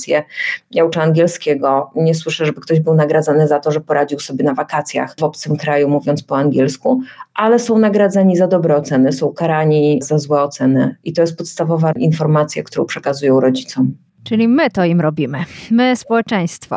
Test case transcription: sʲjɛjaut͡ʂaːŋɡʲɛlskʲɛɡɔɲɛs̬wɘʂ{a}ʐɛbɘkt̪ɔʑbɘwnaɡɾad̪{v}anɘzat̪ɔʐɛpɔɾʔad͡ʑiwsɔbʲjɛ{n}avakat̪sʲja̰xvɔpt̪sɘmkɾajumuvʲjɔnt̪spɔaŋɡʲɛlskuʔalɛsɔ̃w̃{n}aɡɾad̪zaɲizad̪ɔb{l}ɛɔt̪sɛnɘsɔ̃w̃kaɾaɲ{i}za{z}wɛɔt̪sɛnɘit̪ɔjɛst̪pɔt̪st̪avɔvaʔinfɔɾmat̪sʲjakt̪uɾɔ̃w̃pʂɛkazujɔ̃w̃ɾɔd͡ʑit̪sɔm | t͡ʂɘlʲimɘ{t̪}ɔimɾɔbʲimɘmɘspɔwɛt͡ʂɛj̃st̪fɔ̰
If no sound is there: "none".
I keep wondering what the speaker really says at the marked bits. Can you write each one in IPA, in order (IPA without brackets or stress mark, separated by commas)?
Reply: ɛ, z, n, n, ɾ, i, z, t̪